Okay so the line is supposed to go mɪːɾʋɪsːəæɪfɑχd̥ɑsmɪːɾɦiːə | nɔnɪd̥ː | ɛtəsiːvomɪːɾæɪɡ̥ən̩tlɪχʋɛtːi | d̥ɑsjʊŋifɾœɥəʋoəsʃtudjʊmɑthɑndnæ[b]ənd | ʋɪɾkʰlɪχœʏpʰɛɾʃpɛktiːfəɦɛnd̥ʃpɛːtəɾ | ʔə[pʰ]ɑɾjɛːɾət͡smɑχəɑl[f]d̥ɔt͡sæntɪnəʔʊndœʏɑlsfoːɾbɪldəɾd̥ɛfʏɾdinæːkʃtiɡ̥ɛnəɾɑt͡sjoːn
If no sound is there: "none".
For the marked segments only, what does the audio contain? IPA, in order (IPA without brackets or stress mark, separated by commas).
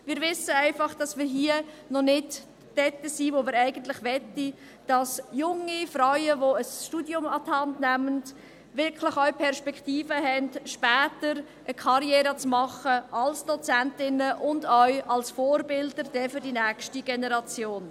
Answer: m, kʰ, s